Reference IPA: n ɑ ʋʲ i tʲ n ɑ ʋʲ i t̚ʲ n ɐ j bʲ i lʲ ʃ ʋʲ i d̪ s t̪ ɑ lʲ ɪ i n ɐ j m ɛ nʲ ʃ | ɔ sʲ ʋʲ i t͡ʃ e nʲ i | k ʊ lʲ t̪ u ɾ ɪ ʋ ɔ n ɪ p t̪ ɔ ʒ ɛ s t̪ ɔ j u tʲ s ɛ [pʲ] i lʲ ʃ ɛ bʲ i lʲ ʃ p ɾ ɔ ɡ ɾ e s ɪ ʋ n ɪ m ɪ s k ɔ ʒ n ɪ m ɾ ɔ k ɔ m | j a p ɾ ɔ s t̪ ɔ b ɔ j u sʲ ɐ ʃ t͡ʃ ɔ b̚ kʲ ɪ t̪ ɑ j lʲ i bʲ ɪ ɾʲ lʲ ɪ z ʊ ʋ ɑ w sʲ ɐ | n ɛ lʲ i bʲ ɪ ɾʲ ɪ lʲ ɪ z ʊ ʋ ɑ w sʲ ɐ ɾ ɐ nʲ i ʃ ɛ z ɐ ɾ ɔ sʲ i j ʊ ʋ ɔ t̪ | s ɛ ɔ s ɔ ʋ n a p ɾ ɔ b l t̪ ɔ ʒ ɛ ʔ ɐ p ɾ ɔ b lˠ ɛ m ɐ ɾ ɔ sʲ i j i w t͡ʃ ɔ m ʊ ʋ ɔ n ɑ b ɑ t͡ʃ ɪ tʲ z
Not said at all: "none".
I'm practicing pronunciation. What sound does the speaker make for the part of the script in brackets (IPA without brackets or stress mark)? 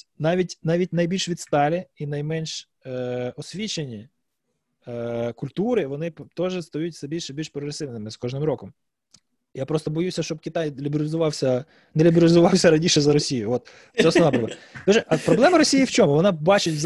bʲ